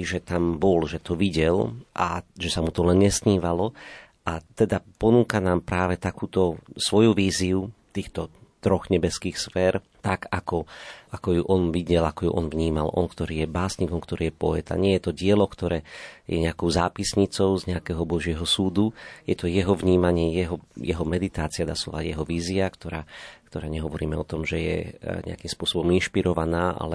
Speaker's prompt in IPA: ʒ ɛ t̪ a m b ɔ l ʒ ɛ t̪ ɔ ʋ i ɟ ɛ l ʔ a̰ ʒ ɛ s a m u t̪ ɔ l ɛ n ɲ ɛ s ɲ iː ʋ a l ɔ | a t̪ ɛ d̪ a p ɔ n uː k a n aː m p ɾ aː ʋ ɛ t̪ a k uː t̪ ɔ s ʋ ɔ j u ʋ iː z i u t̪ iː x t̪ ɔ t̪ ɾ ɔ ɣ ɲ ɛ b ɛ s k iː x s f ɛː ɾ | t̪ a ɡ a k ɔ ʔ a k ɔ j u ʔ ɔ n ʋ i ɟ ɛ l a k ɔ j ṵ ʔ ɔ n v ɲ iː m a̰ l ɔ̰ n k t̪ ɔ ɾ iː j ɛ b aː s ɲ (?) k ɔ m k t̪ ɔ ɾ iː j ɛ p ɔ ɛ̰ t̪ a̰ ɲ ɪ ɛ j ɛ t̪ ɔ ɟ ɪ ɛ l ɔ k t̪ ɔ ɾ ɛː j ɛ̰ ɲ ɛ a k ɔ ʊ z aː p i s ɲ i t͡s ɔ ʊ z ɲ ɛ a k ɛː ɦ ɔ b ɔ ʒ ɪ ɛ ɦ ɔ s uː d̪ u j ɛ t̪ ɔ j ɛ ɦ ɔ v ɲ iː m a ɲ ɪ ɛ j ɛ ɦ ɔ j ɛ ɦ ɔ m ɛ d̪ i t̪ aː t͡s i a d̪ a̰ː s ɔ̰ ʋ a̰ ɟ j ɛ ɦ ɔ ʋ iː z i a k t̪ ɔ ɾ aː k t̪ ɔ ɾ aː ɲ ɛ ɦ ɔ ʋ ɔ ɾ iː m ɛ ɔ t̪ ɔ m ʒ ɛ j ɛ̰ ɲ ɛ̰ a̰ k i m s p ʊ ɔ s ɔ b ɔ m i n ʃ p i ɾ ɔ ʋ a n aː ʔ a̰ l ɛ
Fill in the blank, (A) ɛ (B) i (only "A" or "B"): B